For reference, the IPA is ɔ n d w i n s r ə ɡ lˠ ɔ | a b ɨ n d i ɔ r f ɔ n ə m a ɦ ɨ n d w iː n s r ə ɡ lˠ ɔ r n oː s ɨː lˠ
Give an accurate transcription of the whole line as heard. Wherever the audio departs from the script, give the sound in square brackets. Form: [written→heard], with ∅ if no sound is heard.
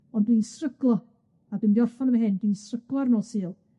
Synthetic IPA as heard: ɔ n d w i n s r ə ɡ lˠ ɔ | a b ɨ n d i ɔ r f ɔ n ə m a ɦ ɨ n d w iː n s r ə ɡ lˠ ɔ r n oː s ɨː lˠ